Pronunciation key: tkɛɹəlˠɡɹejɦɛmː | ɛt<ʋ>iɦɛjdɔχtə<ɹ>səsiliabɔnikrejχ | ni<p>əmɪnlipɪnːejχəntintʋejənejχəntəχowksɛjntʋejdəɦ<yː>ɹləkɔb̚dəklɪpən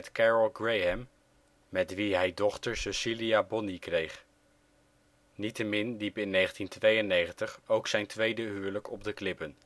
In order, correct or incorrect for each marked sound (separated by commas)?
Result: correct, correct, incorrect, correct